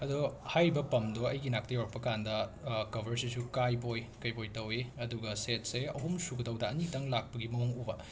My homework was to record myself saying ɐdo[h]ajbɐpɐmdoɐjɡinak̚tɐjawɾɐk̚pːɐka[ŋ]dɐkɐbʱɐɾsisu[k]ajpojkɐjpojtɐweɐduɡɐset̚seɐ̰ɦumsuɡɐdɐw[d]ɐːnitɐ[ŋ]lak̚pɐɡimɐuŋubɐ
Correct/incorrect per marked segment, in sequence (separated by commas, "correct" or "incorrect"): correct, incorrect, correct, correct, correct